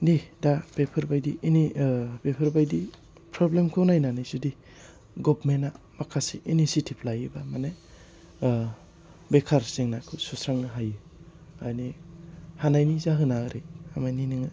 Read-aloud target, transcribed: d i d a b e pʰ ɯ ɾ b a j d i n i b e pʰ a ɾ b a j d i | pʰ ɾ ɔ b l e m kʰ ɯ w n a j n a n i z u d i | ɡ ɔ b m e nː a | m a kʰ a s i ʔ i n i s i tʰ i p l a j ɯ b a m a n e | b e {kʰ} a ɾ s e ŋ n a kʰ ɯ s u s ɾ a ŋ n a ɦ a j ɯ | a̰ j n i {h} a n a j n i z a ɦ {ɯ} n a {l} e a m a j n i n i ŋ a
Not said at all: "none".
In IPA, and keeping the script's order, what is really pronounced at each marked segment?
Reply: kʰ, h, ɯ, ɾ

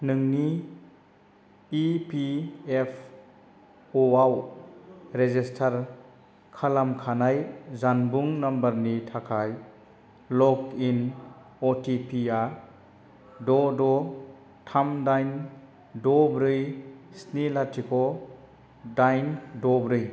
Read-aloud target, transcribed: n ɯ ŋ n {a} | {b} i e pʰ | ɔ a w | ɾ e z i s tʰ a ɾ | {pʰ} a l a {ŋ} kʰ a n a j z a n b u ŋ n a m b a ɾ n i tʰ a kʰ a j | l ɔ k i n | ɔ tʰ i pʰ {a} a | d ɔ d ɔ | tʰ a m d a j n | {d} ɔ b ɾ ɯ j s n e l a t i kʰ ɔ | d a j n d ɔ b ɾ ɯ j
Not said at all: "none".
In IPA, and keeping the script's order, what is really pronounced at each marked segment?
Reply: i, p, kʰ, m, i, d

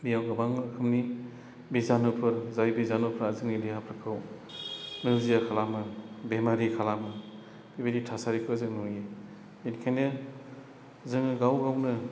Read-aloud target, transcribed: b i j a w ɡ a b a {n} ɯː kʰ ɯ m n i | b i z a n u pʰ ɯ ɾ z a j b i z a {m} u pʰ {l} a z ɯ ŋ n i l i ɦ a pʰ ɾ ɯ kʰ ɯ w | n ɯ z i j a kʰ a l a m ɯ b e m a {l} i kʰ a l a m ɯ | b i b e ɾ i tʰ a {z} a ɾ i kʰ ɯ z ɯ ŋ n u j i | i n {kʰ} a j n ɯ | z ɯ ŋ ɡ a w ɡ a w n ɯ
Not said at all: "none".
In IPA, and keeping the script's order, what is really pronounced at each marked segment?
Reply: ŋ, n, ɾ, ɾ, s, kʰ

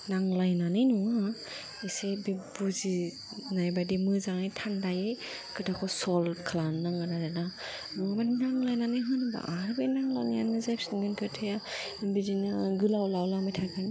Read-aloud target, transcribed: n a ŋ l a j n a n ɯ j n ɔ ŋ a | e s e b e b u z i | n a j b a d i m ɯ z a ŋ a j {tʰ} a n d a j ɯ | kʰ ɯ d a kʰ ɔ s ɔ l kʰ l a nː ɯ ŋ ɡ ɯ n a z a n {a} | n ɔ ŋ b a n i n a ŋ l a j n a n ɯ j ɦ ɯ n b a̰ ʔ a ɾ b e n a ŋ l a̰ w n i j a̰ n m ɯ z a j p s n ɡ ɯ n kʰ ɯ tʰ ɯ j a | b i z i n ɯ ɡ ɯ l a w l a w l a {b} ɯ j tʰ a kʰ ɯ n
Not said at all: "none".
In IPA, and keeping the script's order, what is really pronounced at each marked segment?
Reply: tʰ, a, m

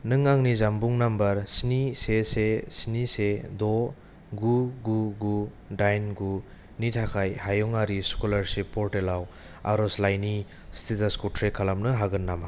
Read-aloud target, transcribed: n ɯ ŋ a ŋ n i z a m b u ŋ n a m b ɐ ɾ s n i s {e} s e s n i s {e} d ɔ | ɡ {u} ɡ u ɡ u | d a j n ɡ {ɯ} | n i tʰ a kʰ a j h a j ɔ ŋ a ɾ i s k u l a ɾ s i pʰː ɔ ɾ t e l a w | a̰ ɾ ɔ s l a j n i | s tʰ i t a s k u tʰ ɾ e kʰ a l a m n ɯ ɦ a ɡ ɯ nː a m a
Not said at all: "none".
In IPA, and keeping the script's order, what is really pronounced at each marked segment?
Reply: e, e, u, u

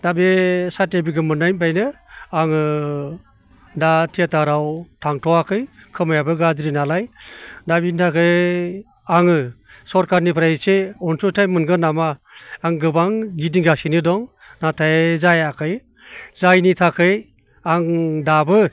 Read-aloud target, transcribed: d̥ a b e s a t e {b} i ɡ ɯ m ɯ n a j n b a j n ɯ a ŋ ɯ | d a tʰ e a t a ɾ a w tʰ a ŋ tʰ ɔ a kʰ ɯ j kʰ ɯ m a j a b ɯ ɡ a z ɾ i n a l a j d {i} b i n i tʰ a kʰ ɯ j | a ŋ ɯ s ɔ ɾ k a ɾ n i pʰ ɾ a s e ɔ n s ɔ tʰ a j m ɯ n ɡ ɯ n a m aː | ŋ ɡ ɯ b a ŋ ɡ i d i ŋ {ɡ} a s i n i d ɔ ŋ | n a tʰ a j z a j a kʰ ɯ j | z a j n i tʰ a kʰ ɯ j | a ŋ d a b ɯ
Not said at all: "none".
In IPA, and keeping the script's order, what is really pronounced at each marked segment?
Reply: b, a, ɡ

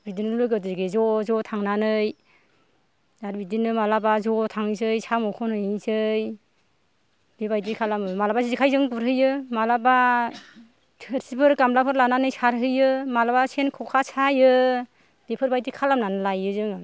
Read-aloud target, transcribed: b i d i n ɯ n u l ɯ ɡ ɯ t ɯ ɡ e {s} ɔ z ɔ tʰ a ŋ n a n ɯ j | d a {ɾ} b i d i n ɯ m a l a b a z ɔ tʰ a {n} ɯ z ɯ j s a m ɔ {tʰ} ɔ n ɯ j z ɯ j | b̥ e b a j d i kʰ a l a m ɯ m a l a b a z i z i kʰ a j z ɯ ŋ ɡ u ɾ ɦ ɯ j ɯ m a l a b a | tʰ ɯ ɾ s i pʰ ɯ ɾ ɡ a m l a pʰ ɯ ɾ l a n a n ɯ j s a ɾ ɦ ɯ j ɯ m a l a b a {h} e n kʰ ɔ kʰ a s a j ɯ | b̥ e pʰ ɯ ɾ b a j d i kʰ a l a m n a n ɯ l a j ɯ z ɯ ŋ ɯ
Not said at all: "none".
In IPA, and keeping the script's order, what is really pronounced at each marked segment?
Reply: z, ɾ, ŋ, kʰ, s

